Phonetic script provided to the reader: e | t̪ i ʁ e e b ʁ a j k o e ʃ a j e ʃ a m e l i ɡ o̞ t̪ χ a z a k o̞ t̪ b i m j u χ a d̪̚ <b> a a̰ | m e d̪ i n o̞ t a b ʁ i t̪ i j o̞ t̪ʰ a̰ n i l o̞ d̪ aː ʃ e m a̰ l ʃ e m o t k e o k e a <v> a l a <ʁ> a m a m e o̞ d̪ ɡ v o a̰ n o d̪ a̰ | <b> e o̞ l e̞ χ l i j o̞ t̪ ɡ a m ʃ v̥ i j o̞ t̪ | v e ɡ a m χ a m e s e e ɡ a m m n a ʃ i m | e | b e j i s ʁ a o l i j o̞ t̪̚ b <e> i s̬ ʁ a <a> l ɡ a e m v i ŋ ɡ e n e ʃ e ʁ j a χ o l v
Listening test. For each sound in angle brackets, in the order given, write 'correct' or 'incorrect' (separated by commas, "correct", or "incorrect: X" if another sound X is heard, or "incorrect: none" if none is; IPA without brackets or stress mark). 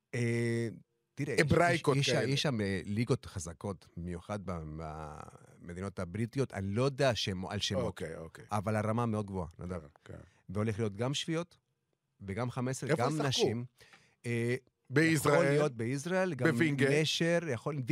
correct, correct, correct, incorrect: v, correct, incorrect: e